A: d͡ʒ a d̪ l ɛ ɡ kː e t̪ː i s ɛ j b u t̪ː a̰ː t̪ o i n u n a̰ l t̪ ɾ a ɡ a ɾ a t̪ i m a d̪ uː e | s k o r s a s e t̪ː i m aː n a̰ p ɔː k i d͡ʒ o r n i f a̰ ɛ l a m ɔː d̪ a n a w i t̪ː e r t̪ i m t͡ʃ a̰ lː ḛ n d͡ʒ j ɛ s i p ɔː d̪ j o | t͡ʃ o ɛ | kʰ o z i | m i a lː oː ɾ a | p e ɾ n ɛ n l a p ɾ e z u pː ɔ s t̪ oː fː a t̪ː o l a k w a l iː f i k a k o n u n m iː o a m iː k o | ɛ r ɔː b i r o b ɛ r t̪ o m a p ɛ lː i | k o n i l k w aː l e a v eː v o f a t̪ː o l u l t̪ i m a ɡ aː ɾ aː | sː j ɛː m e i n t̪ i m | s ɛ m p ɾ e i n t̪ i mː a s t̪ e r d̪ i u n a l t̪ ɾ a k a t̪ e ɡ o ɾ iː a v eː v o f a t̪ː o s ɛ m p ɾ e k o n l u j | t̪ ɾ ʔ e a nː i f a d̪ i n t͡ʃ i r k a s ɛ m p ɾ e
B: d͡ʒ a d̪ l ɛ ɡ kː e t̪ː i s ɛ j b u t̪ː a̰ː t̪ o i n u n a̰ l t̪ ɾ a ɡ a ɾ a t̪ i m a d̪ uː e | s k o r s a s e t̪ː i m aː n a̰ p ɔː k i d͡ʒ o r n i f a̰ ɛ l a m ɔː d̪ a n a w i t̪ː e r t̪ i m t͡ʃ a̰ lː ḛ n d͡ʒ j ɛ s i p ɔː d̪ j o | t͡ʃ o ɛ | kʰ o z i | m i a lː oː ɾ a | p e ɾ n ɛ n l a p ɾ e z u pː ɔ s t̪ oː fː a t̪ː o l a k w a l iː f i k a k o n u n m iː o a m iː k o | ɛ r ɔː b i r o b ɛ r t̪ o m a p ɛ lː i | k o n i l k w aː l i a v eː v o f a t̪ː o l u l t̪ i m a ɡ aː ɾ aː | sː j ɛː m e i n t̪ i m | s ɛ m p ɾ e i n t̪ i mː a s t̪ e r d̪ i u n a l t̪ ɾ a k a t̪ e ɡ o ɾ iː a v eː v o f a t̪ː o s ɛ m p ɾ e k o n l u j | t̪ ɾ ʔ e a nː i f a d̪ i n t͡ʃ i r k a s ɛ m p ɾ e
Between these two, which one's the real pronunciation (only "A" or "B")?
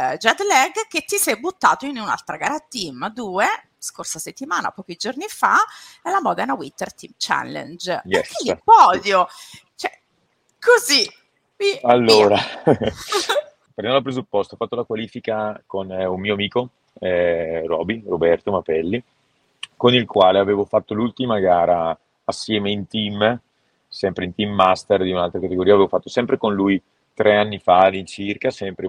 A